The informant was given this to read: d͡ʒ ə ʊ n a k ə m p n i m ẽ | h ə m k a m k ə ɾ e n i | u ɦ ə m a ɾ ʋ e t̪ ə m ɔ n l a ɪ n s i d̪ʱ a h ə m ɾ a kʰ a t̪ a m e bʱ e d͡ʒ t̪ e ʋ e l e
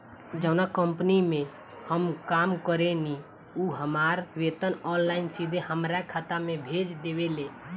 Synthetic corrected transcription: d͡ʒ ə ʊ n a k ə m p n i m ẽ | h ə m k a m k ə ɾ e n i | u ɦ ə m a ɾ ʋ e t̪ ə n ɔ n l a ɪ n s i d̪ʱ e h ə m ɾ a kʰ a t̪ a m e bʱ e d͡ʒ d̪ e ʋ e l e

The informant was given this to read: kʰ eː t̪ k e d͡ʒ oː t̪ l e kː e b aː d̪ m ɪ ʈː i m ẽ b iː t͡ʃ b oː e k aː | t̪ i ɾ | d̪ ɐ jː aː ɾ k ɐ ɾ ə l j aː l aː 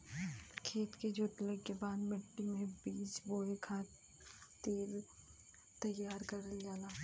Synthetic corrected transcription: kʰ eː t̪ k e d͡ʒ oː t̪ l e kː e b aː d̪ m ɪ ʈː i m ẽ b iː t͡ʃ b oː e kʰ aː | t̪ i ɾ | t̪ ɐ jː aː ɾ k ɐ ɾ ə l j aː l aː

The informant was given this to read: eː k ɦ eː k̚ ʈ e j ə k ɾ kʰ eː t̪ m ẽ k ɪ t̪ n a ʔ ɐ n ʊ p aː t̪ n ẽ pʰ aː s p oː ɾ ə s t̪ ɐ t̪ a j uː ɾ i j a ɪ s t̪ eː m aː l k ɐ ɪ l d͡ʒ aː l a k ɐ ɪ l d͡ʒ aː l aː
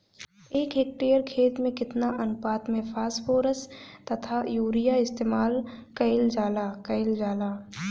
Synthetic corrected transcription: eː k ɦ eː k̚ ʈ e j ə ɾ kʰ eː t̪ m ẽ k ɪ t̪ n a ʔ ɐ n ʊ p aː t̪ m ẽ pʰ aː s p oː ɾ ə s t̪ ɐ t̪ʰ a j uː ɾ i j a ɪ s t̪ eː m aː l k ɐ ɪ l d͡ʒ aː l a k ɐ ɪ l d͡ʒ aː l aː

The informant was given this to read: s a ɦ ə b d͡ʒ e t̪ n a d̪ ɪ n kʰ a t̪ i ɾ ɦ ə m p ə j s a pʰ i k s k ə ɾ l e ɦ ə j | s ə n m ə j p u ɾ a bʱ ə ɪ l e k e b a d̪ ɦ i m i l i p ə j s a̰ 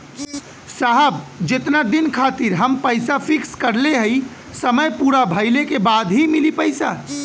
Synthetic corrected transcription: s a ɦ ə b d͡ʒ e t̪ n a d̪ i n kʰ a t̪ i ɾ ɦ ə m p ə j s a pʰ i k s k ə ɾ l e ɦ ə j | s ə m ə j p u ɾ a bʱ ə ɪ l e k e b a d̪ ɦ i m i l i p ə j s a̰

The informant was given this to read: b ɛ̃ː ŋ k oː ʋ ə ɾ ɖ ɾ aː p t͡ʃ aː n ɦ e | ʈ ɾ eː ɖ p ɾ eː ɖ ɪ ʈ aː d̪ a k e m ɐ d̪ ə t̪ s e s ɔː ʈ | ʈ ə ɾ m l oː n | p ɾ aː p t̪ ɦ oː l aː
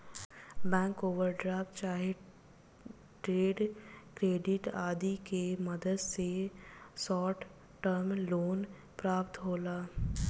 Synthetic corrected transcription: b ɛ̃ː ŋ k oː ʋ ə ɾ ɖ ɾ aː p t͡ʃ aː ɦ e | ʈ ɾ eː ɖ k ɾ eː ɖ ɪ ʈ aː d̪ i k e m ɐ d̪ ə d̪ s e s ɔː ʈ | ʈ ə ɾ m l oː n | p ɾ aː p t̪ ɦ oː l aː

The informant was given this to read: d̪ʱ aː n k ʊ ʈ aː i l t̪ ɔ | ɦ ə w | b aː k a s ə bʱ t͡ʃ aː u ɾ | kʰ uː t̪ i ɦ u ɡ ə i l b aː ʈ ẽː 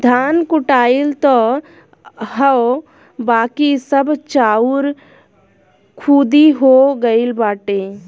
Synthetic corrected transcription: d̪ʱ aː n k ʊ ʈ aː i l t̪ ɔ | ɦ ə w | b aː k i s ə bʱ t͡ʃ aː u ɾ | kʰ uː d̪ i ɦ o ɡ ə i l b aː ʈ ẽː

